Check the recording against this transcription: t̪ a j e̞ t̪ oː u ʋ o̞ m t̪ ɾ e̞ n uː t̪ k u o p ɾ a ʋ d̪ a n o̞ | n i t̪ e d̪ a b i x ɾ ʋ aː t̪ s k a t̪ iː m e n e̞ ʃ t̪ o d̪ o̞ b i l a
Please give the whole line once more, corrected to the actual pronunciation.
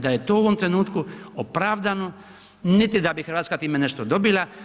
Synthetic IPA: d̪ a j e̞ t̪ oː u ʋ o̞ m t̪ ɾ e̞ n uː t̪ k u o p ɾ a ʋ d̪ a n o̞ | n i t̪ i d̪ a b i x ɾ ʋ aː t̪ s k a t̪ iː m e n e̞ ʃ t̪ o d̪ o̞ b i l a